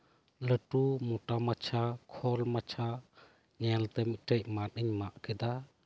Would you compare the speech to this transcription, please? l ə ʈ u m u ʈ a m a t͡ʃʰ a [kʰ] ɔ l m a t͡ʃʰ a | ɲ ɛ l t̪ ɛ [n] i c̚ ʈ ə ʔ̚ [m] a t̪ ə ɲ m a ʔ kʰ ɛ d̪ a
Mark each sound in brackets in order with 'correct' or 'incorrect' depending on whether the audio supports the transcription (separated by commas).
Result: correct, incorrect, correct